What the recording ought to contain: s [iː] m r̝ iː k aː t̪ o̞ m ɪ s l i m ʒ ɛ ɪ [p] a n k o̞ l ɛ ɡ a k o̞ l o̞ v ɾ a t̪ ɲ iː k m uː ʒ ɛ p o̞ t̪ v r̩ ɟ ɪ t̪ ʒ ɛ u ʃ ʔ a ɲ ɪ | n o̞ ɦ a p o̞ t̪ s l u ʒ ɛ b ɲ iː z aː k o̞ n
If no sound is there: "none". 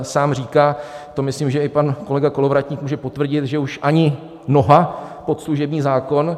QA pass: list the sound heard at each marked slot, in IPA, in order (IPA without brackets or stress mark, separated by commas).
aː, p